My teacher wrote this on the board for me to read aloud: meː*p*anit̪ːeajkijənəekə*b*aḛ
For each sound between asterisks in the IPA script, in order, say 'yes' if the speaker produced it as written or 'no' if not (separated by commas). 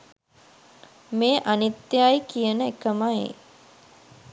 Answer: no, no